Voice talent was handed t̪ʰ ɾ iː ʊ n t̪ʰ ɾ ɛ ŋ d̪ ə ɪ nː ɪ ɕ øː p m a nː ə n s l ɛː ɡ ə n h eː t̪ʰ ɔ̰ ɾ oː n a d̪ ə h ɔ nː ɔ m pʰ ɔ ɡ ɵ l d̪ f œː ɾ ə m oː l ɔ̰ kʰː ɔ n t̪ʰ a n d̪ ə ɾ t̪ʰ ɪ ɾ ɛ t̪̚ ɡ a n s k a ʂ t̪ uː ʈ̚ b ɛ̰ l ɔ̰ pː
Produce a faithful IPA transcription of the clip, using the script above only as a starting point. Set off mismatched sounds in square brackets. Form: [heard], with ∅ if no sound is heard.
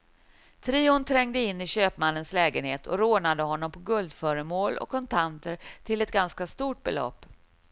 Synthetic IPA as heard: t̪ʰ ɾ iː ʊ n t̪ʰ ɾ ɛ ŋ d̪ ə ɪ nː ɪ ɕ øː p m a nː ə n s l ɛː ɡ ə n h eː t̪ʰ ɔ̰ ɾ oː n a d̪ ə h ɔ nː ɔ m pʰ ɔ ɡ ɵ l d̪ f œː ɾ ə m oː l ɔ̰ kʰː ɔ n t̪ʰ a n [t̪] ə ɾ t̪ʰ ɪ [l] ɛ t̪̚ ɡ a n s k a [s] t̪ uː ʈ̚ b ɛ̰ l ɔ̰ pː